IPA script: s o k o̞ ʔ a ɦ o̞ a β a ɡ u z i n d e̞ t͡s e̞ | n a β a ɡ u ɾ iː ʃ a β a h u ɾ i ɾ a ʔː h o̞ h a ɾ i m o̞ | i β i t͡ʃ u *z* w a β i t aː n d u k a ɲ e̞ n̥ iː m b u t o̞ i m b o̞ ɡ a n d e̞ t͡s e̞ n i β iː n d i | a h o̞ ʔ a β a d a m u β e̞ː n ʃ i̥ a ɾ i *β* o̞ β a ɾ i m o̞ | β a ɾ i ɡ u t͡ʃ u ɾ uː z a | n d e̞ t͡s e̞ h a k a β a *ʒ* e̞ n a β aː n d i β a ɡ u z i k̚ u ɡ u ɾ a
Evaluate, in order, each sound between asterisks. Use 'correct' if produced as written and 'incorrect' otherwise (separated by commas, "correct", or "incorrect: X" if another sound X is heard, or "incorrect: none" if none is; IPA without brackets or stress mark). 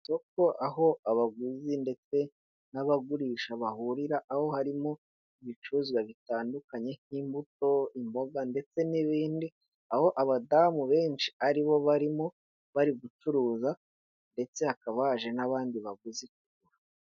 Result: correct, correct, correct